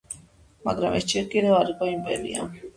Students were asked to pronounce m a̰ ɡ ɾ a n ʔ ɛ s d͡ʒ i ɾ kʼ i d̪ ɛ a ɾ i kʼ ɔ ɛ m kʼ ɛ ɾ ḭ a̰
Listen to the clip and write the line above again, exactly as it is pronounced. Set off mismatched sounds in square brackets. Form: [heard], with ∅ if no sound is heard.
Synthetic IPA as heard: m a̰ ɡ ɾ a [m] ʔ ɛ s d͡ʒ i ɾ kʼ i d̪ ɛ a ɾ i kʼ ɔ [i] m [pʼ] ɛ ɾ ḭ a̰